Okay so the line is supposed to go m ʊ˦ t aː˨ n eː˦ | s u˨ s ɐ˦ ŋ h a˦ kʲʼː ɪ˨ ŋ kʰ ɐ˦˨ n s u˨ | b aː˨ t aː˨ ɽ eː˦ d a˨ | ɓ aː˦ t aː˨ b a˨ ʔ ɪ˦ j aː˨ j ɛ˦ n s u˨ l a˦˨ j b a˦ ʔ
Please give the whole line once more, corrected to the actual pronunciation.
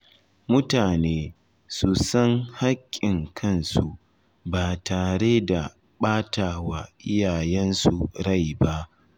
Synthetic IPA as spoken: m ʊ˦ t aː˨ n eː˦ | s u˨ s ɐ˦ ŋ h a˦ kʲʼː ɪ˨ ŋ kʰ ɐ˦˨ n s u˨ | b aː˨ t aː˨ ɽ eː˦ d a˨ | ɓ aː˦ t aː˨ w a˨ ʔ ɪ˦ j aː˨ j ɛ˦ n s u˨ ɽ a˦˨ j b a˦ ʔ